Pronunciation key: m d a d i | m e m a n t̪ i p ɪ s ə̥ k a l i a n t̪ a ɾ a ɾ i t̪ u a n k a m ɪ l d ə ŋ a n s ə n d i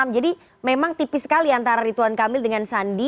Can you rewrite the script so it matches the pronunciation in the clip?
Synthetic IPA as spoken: m d͡ʒ a d i | m e m a ŋ t̪ i p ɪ s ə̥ k a l i a n t̪ a ɾ a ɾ i t̪ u a n k a m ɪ l d ə ŋ a n s a n d i